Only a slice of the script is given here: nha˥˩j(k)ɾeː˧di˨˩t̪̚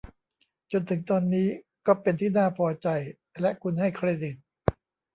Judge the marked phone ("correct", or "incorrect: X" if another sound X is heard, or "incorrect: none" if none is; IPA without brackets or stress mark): incorrect: kʰ